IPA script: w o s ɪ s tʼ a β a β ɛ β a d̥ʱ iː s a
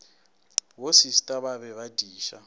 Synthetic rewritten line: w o s i s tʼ a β a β ɛ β a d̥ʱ iː ʃ a